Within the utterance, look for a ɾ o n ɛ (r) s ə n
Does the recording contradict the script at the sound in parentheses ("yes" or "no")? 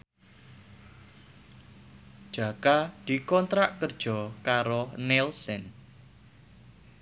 yes